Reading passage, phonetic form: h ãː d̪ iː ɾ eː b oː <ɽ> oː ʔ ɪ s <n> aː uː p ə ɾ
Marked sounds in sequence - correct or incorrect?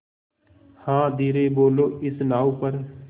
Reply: incorrect: l, correct

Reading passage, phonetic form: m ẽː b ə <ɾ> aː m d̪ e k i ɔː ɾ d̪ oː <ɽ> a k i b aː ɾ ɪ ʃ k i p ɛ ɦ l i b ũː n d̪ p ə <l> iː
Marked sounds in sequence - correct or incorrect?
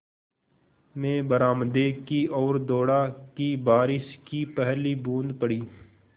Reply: correct, correct, incorrect: ɽ

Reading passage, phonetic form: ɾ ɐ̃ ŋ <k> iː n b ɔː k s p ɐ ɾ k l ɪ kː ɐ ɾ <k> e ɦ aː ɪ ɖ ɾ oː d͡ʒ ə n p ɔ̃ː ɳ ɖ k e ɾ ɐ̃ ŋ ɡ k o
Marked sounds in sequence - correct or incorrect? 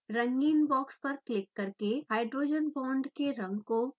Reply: incorrect: ɡ, correct

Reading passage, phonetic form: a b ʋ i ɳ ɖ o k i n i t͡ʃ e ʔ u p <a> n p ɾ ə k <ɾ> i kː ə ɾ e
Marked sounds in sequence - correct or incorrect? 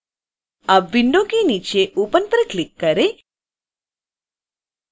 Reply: incorrect: ə, incorrect: l

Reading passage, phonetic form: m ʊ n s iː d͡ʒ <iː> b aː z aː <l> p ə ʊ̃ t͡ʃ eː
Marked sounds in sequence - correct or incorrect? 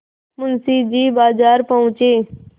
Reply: correct, incorrect: ɾ

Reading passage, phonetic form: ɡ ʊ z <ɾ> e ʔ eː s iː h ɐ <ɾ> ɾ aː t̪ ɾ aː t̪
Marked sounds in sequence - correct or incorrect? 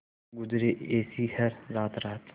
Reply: correct, correct

